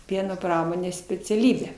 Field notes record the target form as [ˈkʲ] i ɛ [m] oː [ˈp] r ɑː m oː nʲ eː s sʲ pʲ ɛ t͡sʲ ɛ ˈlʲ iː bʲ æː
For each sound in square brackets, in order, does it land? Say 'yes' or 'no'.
no, no, yes

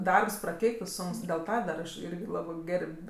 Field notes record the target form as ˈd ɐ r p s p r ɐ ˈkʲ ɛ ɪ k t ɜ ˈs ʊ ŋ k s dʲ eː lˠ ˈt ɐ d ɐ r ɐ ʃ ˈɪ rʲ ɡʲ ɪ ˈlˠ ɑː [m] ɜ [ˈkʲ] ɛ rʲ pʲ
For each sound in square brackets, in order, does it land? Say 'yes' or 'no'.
no, no

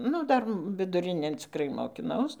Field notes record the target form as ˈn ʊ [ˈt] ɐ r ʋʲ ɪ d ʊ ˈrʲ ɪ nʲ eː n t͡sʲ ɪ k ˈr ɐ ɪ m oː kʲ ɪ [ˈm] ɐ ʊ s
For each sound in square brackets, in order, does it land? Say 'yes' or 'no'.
no, no

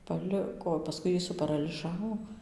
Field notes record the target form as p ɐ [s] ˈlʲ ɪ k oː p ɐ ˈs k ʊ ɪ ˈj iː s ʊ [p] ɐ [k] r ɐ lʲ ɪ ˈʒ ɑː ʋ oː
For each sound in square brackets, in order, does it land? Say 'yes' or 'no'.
no, yes, no

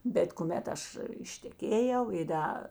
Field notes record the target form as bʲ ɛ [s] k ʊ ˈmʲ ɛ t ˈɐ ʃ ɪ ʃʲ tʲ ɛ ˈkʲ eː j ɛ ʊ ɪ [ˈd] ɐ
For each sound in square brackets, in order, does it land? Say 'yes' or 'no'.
no, yes

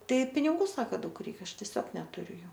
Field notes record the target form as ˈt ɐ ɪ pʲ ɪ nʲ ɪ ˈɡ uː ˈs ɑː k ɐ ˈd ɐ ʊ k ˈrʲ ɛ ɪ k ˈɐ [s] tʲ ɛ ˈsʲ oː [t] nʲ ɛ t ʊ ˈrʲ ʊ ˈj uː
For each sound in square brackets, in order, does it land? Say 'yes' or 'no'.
no, no

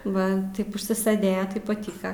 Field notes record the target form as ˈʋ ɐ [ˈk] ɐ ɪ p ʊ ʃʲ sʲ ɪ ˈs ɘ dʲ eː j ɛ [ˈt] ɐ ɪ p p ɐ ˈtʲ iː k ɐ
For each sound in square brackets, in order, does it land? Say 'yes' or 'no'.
no, yes

